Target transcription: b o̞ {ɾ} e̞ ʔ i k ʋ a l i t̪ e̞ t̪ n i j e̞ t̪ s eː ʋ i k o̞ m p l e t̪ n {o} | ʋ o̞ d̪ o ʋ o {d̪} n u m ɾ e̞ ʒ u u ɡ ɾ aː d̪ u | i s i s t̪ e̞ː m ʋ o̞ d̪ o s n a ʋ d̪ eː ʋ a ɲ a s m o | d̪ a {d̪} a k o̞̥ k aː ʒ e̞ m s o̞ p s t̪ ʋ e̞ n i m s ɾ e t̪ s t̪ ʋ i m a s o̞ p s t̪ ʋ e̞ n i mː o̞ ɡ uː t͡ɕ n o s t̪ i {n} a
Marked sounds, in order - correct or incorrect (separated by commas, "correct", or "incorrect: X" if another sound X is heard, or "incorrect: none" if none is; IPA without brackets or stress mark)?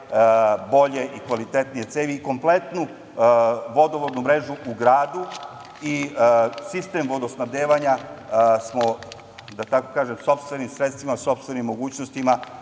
incorrect: ʎ, incorrect: u, correct, incorrect: t̪, incorrect: m